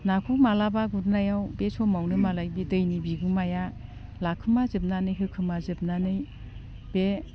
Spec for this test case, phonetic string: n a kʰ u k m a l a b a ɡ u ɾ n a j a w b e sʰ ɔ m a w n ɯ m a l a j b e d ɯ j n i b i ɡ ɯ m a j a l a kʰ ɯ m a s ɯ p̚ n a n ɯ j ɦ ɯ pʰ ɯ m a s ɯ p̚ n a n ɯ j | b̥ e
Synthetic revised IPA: n a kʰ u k m a l a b a ɡ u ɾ n a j a w b e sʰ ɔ m a w n ɯ m a l a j b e d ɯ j n i b i ɡ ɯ m a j a l a kʰ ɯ m a z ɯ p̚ n a n ɯ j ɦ ɯ kʰ ɯ m a z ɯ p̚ n a n ɯ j | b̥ e